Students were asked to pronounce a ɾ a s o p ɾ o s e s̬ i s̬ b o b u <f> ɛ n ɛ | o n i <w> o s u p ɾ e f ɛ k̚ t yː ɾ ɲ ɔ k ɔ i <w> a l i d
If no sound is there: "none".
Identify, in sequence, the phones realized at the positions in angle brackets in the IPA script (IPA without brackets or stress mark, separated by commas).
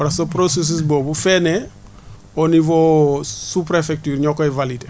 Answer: f, v, v